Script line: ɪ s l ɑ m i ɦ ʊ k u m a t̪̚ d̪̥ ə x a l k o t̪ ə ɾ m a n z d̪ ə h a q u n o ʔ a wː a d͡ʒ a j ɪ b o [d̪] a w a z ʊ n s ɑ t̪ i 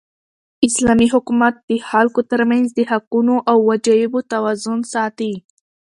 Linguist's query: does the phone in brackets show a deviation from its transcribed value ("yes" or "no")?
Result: yes